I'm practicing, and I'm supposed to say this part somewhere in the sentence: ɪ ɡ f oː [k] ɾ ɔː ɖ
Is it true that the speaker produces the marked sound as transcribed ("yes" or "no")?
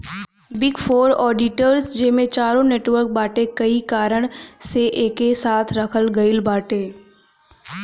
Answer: no